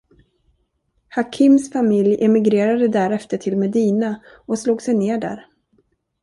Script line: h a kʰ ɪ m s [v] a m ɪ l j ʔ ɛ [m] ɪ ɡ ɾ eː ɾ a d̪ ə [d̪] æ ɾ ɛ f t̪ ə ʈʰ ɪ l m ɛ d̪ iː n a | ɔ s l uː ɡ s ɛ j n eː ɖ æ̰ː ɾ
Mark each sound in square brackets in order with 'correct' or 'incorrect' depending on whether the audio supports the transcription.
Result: incorrect, correct, correct

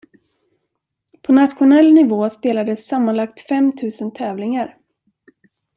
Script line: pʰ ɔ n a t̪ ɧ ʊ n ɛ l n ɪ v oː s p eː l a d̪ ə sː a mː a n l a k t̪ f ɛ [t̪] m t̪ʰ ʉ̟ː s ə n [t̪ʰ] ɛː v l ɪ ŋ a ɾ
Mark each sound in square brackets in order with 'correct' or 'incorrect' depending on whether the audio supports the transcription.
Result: incorrect, correct

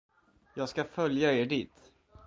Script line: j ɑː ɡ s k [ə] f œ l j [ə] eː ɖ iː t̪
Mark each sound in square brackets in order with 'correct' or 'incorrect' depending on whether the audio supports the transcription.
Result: incorrect, incorrect

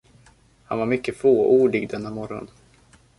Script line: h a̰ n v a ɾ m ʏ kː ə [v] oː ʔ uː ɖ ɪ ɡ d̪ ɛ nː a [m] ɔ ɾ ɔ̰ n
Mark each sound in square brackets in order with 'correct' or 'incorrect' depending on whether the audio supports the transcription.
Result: incorrect, correct

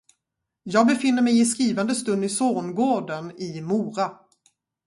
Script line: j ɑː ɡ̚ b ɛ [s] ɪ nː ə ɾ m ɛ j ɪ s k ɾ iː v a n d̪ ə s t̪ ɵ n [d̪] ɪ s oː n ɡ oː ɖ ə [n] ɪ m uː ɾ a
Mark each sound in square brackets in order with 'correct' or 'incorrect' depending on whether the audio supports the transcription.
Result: incorrect, correct, correct

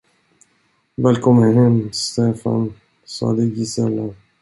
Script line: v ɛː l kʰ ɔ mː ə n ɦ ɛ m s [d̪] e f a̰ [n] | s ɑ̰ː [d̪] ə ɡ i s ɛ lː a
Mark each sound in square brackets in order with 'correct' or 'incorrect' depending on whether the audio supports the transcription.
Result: incorrect, correct, correct

